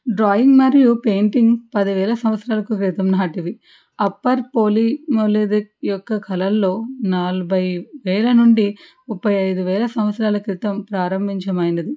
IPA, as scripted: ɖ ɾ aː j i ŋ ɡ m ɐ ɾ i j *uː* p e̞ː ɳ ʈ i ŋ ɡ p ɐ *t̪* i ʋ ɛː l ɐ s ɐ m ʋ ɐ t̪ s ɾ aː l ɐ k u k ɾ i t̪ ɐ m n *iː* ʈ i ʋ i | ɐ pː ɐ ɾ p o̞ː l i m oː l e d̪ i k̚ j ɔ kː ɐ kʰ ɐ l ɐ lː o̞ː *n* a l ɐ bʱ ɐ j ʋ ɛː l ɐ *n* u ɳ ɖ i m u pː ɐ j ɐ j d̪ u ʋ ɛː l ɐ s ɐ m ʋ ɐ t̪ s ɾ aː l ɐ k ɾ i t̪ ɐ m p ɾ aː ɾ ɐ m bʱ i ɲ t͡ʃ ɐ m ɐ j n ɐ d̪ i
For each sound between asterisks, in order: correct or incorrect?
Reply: incorrect, incorrect, incorrect, correct, correct

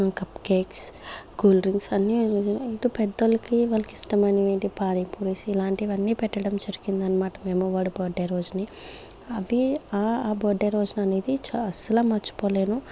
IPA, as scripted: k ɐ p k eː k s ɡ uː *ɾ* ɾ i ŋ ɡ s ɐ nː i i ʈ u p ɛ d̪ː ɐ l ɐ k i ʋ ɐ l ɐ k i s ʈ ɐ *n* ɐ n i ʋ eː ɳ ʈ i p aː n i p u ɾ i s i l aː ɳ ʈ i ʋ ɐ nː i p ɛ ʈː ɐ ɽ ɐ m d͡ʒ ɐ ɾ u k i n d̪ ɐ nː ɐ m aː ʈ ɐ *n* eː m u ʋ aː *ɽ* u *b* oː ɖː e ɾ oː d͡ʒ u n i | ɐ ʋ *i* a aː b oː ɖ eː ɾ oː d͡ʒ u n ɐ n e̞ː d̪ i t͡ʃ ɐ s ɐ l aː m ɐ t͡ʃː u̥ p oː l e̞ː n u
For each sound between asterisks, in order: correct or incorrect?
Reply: incorrect, incorrect, incorrect, correct, correct, correct

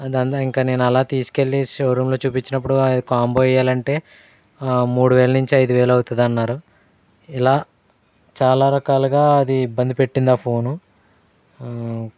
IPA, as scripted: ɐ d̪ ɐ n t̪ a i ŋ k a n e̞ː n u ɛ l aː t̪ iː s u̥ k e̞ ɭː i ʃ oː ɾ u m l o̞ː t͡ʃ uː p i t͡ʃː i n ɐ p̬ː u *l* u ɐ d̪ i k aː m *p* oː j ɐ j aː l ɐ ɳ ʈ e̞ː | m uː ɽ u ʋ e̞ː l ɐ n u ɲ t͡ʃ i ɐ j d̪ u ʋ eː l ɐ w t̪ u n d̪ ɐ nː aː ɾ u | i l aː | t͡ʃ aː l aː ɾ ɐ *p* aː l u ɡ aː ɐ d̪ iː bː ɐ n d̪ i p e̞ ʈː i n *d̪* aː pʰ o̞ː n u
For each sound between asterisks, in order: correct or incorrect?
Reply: incorrect, incorrect, incorrect, correct

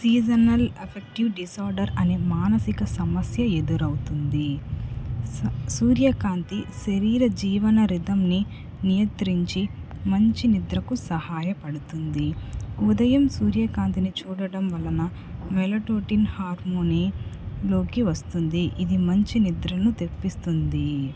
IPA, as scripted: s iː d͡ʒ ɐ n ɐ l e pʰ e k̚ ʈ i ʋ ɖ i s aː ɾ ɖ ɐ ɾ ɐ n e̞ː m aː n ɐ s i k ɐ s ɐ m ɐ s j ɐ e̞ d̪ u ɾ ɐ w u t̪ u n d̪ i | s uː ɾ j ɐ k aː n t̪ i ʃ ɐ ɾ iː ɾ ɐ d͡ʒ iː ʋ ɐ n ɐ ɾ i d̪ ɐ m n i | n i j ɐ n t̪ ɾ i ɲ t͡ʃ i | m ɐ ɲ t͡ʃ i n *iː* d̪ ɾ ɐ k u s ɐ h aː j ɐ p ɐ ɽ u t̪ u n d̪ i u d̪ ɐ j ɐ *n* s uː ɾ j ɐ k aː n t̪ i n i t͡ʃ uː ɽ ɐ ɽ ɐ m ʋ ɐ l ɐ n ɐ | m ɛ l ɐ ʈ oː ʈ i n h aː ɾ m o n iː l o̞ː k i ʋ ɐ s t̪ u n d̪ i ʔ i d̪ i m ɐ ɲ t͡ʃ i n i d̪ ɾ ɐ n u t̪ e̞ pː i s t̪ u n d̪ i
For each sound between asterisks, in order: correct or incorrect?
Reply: incorrect, incorrect

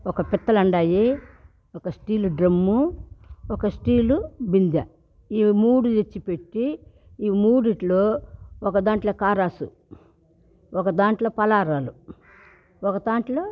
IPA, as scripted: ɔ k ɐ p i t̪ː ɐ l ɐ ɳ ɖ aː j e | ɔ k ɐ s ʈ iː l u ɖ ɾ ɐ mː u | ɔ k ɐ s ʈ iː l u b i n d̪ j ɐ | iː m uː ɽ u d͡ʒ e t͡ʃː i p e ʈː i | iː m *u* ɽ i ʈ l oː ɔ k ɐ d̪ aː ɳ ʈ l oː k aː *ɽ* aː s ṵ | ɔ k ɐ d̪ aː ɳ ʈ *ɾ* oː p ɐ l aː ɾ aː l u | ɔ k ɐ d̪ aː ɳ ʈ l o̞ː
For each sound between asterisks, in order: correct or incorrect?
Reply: incorrect, incorrect, incorrect

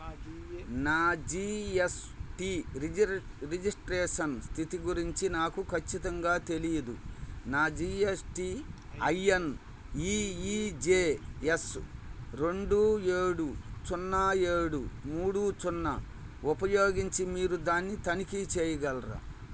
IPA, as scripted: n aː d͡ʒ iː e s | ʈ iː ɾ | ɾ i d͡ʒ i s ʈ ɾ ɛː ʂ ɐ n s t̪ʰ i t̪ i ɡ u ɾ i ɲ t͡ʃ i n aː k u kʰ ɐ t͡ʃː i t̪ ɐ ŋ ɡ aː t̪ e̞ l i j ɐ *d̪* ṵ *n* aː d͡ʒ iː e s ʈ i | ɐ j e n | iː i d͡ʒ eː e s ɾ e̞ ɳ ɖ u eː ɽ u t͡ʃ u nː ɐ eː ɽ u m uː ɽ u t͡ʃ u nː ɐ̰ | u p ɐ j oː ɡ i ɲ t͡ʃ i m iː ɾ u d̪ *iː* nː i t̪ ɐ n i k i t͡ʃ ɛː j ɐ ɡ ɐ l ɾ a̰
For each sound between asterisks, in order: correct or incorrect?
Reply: correct, correct, incorrect

